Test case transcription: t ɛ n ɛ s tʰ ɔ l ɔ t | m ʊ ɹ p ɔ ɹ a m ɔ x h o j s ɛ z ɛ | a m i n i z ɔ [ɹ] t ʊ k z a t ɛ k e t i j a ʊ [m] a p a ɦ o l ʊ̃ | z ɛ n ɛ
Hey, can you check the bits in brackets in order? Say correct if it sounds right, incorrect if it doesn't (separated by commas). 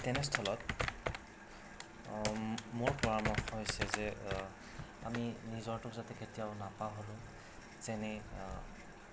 correct, incorrect